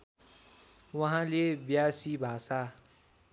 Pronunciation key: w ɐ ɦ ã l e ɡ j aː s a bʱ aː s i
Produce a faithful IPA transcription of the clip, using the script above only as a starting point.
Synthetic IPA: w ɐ ɦ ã l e b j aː s i bʱ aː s a